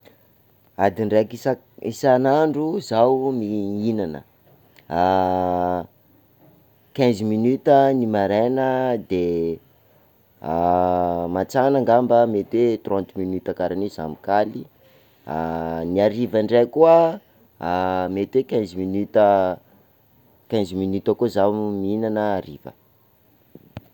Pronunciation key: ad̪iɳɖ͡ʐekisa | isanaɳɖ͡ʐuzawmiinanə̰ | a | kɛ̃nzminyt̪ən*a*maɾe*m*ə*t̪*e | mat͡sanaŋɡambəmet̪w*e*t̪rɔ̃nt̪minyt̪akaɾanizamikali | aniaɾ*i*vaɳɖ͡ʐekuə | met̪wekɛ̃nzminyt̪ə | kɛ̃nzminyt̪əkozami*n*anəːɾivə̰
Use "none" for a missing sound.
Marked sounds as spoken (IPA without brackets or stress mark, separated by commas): i, n, d̪, e, i, n